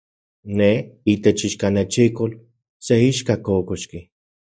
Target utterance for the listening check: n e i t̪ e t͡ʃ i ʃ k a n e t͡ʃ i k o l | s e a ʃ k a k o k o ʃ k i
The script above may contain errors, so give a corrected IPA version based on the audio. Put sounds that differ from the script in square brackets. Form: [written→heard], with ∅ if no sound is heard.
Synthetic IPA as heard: n e i t̪ e t͡ʃ i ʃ k a n e t͡ʃ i k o l | s e [a→i] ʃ k a k o k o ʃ k i